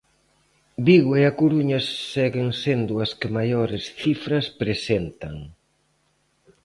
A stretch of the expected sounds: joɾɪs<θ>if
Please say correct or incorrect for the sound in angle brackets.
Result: correct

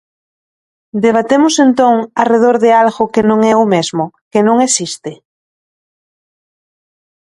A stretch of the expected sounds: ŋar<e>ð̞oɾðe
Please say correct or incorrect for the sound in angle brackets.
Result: correct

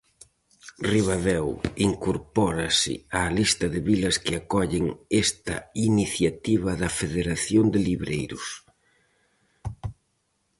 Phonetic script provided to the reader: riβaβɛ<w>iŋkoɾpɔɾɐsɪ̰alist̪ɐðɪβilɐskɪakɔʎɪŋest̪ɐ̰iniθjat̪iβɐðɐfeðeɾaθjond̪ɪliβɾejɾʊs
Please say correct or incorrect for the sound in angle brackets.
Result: correct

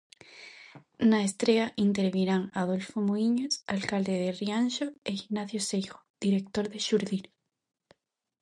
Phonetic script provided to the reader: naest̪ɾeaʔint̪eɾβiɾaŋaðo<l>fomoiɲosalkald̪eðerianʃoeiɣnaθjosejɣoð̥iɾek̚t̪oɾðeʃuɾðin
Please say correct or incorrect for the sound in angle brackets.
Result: correct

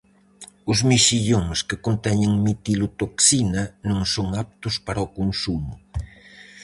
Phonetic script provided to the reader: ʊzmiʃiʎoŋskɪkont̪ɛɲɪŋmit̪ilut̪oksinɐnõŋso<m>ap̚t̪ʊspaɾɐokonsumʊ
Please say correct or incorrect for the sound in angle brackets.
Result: incorrect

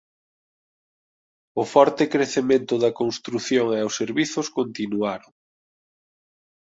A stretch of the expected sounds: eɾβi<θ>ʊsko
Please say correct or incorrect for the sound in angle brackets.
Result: correct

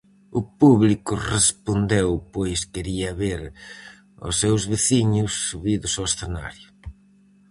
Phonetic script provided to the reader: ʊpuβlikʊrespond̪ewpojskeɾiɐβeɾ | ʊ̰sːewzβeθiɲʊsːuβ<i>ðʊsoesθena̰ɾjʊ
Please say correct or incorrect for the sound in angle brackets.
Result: correct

